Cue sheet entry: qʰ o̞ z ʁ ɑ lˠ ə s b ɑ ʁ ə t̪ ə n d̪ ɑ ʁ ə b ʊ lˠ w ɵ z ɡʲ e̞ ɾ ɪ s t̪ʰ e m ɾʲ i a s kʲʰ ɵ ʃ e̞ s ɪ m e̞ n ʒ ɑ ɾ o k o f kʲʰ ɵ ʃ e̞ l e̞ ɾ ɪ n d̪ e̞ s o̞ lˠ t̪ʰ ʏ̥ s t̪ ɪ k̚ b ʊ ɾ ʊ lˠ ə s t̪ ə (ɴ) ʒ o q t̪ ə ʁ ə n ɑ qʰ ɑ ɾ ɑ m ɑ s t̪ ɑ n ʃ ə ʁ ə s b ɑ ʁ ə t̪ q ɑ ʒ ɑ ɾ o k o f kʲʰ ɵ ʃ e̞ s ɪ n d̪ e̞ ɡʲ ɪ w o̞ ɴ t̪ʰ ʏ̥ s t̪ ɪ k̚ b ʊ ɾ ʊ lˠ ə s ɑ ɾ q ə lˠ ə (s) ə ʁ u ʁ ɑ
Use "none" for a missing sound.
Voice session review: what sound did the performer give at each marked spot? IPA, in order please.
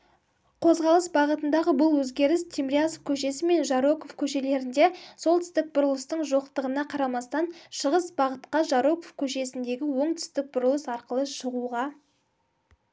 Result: ɴ, ʃ

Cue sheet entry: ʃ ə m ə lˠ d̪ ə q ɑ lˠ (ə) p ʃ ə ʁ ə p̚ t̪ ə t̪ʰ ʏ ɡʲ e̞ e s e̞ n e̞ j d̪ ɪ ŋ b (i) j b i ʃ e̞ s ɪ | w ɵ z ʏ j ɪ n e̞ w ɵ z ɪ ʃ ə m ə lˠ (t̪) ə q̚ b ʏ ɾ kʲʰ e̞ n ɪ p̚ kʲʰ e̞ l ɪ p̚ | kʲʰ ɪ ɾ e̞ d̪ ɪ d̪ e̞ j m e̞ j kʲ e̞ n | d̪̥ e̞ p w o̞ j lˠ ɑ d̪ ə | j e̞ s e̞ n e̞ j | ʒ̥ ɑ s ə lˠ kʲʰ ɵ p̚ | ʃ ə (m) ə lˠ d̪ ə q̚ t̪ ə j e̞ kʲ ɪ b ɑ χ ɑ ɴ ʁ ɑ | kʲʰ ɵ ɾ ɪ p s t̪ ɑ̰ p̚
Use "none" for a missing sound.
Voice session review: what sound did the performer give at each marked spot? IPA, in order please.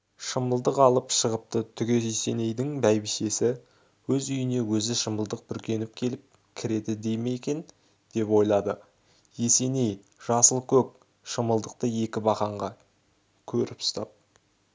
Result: ə, æ, d̪, m

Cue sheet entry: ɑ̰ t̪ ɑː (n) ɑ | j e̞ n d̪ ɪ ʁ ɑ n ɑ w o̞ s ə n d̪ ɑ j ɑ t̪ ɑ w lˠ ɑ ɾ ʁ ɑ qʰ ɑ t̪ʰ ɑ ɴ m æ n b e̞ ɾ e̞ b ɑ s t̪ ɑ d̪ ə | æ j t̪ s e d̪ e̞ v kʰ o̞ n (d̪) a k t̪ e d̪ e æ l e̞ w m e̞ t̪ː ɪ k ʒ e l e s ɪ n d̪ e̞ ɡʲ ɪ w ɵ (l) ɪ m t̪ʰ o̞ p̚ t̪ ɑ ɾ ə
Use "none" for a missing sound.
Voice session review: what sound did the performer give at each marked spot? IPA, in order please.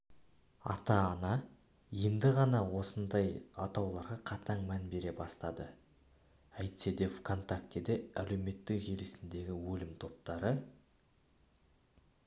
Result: n, t̪, l

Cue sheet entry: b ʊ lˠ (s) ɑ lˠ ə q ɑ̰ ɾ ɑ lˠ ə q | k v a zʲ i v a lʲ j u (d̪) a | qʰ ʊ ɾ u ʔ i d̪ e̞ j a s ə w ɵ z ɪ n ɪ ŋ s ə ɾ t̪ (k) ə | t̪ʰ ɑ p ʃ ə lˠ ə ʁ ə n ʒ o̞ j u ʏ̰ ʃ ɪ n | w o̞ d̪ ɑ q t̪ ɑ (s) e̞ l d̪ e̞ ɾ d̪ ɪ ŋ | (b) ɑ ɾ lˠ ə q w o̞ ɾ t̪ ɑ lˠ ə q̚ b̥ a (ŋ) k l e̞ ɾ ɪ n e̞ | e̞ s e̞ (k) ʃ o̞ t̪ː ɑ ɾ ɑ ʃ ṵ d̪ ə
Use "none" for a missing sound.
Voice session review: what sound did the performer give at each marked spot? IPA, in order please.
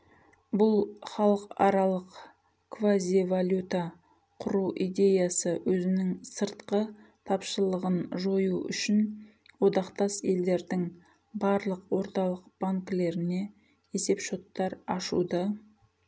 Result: χ, t̪, q, s, b, ŋ, p

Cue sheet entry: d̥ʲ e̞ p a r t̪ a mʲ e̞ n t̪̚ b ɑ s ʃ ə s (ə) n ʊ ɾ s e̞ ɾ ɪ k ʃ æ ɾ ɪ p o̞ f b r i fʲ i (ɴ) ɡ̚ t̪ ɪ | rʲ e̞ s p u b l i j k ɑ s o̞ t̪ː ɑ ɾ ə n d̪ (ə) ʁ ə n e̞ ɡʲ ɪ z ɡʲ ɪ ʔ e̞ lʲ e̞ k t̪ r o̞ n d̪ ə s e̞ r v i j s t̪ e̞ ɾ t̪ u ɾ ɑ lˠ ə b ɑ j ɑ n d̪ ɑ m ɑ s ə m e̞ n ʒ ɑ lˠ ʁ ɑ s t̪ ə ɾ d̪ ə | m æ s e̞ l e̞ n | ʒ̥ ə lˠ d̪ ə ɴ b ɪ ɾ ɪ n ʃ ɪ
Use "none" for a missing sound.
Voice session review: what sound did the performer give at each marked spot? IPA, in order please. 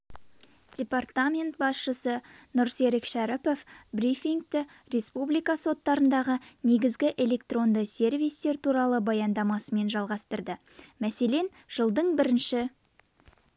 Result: ə, ŋ, ɑ

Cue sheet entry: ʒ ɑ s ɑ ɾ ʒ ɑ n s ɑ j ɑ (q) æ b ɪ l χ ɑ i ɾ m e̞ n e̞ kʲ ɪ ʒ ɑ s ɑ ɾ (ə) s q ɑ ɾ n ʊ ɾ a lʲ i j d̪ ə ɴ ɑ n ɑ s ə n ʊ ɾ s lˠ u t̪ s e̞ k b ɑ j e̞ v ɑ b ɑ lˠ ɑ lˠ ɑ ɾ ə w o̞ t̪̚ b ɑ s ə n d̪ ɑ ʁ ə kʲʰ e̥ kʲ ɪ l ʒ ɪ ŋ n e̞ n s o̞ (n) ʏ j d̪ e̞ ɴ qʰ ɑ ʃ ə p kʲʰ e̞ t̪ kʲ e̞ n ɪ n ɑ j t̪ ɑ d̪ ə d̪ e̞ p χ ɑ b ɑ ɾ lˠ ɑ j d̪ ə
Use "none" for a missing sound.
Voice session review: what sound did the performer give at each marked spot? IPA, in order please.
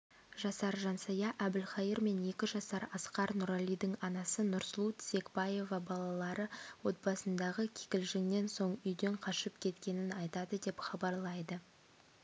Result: ʔ, ɑ, ɴ

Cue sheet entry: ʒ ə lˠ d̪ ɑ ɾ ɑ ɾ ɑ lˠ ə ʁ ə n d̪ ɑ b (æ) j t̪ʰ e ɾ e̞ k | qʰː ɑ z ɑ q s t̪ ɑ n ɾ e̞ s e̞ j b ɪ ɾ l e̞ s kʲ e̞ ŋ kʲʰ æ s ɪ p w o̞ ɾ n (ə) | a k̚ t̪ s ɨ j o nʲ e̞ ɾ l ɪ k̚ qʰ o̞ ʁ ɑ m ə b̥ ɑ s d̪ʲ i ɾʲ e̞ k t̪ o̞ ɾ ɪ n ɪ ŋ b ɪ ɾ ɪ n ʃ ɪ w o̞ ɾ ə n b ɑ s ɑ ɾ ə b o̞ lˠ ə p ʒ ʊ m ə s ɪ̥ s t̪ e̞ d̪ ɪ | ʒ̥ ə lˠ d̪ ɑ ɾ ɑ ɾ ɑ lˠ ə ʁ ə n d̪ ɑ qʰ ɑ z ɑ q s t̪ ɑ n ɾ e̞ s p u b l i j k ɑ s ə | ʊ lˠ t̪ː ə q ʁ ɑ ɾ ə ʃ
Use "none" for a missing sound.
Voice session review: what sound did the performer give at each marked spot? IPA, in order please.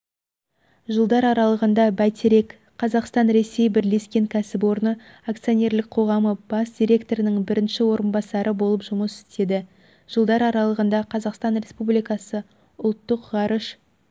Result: æ, ə

